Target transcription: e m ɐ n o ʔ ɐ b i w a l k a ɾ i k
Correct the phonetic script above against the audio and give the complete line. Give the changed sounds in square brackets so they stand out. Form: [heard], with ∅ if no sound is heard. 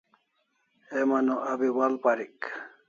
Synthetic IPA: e m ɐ n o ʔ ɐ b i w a l [p] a ɾ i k